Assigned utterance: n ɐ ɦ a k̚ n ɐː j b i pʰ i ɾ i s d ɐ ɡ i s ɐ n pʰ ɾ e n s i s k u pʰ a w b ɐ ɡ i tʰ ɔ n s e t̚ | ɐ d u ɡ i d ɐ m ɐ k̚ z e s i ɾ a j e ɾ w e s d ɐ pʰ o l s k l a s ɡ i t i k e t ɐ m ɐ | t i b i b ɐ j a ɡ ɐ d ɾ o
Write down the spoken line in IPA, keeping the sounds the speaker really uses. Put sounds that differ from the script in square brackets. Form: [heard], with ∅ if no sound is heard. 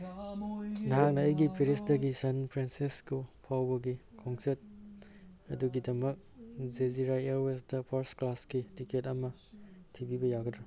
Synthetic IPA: n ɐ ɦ a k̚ n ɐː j [ɡ] i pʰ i ɾ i s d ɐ ɡ i s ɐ n pʰ ɾ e n s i s k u pʰ a w b ɐ ɡ i [kʰ] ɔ [ŋ] s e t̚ | ɐ d u ɡ i d ɐ m ɐ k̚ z e [z] i ɾ a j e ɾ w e s d ɐ pʰ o [ɾ] s k l a s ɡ i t i k e t ɐ m ɐ | [tʰ] i b i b ɐ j a ɡ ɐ d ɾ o

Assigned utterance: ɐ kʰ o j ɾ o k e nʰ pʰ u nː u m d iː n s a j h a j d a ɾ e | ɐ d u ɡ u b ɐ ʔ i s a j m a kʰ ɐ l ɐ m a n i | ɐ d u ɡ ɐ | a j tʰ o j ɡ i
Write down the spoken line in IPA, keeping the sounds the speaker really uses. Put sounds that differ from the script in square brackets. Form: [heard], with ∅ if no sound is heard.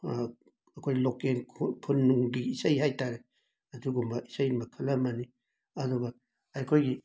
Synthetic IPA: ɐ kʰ o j [l] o k e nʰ pʰ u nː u [ŋ] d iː [∅] s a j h a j [t] a ɾ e | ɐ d u ɡ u [m] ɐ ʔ i s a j m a kʰ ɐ l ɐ m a n i | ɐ d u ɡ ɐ | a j [kʰ] o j ɡ i

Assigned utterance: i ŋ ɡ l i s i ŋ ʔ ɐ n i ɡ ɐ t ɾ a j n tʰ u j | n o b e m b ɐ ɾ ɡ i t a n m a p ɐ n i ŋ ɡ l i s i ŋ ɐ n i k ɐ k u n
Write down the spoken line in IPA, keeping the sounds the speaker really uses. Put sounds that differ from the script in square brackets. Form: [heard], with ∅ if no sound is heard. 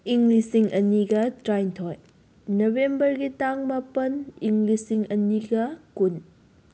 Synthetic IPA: i ŋ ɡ l i s i ŋ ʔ ɐ n i ɡ ɐ t ɾ a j n tʰ [o] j | n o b e m b ɐ ɾ ɡ i t a [ŋ] m a p ɐ n i ŋ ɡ l i s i ŋ ɐ n i [ɡ] ɐ k u n

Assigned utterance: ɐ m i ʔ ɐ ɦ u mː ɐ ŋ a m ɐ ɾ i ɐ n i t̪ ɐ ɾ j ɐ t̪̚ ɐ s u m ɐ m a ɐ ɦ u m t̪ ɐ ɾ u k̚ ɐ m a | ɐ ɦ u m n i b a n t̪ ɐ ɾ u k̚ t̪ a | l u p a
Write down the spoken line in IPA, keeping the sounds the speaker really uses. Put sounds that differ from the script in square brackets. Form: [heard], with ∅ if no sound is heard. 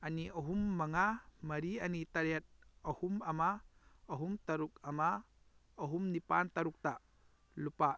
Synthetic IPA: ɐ [n] i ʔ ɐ ɦ u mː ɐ ŋ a m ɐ ɾ i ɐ n i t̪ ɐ ɾ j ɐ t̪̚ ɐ [h] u m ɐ m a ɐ ɦ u m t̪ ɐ ɾ u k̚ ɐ m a | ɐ ɦ u m n i [p] a n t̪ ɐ ɾ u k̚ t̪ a | l u p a

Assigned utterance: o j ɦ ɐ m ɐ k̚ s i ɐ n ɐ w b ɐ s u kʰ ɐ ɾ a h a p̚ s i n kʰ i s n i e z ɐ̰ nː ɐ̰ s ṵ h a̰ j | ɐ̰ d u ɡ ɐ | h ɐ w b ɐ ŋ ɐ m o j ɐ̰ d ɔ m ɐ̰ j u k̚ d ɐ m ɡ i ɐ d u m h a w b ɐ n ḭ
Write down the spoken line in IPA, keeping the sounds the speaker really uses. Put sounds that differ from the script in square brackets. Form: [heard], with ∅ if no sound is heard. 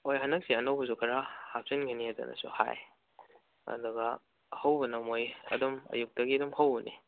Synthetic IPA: o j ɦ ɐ [n] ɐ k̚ s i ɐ n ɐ w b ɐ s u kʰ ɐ ɾ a h a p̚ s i n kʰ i [∅] n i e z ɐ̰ [n] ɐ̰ s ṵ h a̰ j | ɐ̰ d u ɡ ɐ | h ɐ w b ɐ [n] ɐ m o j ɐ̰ d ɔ m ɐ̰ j u k̚ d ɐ [∅] ɡ i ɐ d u m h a w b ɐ n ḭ

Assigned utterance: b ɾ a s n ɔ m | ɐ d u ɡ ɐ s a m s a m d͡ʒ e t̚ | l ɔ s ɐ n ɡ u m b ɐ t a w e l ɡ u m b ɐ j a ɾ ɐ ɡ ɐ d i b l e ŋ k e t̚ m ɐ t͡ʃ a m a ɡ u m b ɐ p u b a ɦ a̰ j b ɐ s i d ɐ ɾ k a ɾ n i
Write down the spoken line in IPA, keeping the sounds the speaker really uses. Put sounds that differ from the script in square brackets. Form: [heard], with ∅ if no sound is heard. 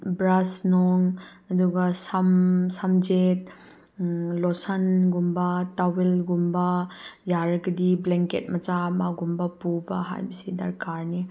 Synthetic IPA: b ɾ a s n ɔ [ŋ] | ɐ d u ɡ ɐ s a m s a m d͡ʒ e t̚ | l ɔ s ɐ n ɡ u m b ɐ t a w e l ɡ u m b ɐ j a ɾ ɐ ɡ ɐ d i b l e ŋ k e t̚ m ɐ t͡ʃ a m a ɡ u m b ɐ p u b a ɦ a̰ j b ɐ s i d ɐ ɾ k a ɾ n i

